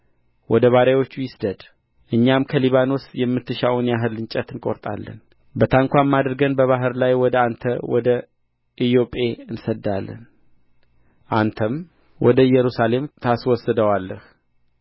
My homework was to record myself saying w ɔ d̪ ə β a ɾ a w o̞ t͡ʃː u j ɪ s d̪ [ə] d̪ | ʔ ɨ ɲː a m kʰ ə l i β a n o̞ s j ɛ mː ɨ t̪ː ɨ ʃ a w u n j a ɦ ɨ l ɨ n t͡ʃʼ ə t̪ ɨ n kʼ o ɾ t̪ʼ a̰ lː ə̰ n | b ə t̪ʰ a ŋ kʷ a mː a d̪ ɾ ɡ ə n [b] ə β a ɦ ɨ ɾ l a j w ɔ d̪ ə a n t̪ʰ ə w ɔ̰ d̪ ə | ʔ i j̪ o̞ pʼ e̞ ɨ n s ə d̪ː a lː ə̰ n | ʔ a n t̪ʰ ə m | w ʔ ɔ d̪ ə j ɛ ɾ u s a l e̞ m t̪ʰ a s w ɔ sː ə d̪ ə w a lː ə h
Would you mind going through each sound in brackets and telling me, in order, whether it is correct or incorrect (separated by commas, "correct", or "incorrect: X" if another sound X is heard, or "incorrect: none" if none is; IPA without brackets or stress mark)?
correct, correct